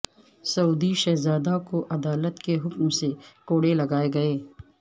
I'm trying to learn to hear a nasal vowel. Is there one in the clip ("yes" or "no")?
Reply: no